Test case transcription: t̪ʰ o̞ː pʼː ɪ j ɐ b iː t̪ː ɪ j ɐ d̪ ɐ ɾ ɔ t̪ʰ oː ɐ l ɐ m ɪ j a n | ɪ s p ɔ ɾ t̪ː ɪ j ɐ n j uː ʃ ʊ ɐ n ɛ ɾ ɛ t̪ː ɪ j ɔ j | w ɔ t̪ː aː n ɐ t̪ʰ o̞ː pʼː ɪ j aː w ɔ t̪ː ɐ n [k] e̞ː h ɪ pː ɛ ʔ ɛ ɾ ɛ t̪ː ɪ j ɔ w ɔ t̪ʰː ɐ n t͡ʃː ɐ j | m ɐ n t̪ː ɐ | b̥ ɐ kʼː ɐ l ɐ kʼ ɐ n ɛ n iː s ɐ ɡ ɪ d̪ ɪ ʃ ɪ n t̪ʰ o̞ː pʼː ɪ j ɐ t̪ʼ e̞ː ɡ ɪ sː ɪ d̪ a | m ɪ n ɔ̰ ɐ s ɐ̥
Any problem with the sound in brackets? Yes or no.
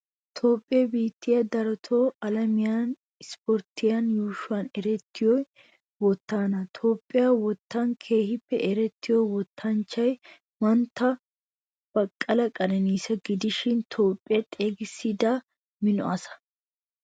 yes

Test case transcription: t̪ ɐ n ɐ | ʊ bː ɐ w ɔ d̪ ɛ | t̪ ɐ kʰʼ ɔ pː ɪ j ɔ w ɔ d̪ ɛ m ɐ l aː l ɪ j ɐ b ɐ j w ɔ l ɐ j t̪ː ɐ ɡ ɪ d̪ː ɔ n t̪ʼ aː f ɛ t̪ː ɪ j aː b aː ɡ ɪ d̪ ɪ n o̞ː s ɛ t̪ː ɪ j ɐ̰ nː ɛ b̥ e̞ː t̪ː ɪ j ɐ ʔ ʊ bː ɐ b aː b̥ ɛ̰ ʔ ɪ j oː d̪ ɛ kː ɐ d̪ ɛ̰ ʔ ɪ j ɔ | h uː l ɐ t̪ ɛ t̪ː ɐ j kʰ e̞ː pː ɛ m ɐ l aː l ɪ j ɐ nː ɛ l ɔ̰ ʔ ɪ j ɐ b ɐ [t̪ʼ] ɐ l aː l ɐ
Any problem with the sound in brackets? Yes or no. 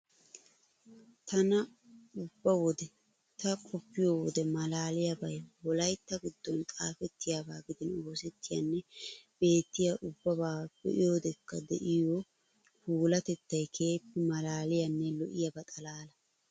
no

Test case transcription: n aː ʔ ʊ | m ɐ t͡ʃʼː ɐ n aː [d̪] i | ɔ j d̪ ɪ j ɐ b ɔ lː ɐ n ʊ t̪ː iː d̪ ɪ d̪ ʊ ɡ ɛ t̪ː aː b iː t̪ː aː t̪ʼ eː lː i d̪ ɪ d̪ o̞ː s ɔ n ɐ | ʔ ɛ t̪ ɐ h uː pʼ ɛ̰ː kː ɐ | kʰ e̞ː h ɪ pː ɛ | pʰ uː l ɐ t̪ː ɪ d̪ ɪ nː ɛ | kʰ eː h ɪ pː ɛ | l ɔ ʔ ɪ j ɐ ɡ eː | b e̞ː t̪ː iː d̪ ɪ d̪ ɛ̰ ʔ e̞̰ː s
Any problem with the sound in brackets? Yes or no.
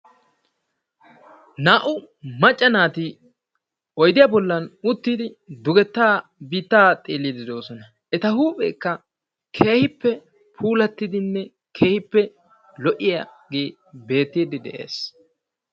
yes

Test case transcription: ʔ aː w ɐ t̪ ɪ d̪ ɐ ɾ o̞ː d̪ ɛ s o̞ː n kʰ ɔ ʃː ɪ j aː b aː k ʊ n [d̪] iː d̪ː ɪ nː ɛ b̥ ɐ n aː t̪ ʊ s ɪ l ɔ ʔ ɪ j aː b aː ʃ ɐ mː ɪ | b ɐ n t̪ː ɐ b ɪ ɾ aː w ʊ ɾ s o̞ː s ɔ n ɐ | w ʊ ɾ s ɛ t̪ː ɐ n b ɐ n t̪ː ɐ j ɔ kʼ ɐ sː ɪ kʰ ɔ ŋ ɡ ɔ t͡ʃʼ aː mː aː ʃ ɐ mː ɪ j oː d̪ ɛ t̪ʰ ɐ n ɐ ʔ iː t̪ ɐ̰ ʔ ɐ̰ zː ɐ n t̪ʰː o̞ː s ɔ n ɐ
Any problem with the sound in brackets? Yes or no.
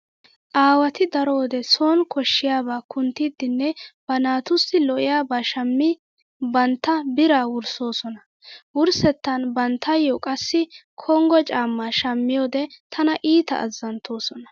yes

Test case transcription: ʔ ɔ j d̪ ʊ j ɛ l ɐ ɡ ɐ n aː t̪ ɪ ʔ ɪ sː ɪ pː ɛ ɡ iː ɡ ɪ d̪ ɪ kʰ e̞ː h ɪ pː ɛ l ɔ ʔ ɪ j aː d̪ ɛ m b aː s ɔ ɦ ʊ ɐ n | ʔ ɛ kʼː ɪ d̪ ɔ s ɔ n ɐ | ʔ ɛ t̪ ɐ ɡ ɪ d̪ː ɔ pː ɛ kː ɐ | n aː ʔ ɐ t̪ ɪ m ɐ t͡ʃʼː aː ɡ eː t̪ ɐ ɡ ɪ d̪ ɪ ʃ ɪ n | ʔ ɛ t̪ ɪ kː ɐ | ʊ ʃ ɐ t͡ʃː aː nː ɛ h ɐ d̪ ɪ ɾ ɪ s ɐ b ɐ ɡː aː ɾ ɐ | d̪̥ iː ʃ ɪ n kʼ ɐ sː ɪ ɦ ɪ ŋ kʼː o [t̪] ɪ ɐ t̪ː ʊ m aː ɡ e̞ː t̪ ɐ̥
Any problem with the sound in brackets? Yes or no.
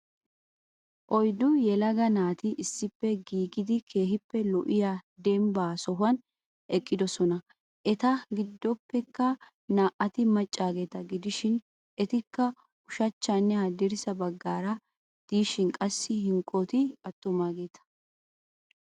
no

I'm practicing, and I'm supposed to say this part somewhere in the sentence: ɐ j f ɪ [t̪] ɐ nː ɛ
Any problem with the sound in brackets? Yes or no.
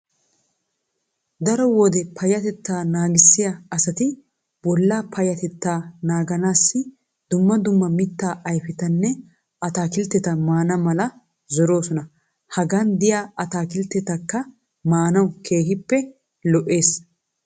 no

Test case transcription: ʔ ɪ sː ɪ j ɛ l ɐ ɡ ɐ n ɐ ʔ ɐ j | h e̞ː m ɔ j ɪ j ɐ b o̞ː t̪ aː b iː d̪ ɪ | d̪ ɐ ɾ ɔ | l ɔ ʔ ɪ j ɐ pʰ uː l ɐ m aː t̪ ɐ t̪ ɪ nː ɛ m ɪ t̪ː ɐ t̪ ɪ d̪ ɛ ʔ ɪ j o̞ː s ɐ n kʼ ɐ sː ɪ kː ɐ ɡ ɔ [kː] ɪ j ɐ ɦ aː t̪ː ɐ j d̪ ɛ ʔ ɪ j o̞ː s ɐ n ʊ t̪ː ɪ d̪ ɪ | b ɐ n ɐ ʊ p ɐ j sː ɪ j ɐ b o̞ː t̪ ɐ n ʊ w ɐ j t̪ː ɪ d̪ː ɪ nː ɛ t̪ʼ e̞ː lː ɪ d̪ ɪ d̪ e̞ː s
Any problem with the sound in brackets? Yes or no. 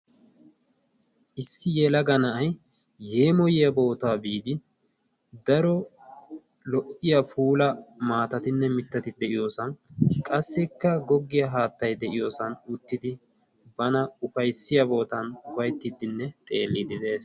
yes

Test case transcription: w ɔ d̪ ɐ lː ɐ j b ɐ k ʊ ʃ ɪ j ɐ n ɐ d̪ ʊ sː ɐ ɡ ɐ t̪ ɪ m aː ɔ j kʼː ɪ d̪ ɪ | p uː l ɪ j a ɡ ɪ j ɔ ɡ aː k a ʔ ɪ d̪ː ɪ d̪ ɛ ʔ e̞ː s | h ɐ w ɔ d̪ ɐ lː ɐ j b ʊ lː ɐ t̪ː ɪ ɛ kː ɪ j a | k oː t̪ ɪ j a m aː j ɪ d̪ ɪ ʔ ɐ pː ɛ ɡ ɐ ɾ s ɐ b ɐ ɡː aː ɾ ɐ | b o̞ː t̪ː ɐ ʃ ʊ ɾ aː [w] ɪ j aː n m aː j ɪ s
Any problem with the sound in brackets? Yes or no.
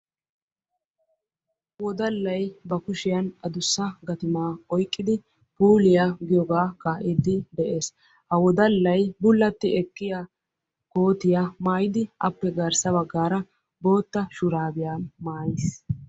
yes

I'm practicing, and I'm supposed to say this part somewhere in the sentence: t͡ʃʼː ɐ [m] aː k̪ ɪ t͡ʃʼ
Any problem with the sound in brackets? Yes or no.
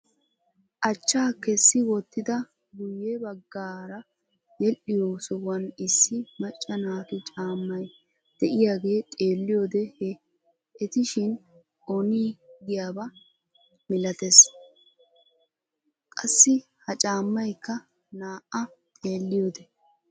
yes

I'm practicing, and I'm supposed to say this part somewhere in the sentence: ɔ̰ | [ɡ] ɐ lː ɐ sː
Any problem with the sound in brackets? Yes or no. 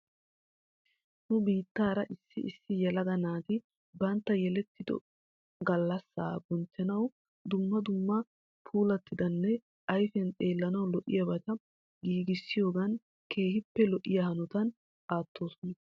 no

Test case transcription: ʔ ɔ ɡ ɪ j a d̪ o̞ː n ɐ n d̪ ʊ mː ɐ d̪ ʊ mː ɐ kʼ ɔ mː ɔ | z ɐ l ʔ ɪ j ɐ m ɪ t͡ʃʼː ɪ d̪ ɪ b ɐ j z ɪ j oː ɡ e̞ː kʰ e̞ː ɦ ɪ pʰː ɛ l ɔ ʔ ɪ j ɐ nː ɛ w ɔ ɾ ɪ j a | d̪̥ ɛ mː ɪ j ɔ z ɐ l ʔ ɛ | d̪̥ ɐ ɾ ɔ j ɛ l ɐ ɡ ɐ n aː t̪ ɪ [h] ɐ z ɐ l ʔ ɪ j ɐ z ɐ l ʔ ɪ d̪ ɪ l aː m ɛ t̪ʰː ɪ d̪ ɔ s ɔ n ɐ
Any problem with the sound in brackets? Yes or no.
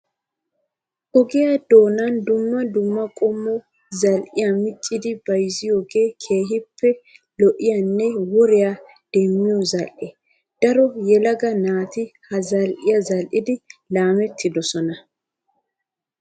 no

